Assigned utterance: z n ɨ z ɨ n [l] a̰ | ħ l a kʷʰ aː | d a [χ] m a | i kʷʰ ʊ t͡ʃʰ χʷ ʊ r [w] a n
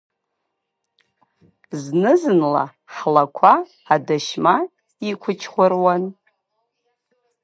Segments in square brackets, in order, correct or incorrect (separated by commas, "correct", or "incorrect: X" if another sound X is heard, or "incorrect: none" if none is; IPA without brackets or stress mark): correct, incorrect: ʃ, correct